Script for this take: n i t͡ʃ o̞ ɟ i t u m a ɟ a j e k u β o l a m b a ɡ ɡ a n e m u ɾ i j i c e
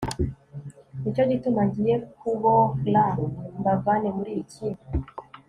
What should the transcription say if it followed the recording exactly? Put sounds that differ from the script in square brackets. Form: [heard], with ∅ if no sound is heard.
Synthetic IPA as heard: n i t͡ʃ o̞ ɟ i t u m a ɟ [i] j e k u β o l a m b a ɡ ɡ a n e m u ɾ i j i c [i]